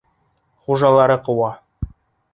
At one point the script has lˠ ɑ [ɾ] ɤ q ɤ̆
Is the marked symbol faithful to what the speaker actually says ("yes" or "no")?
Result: yes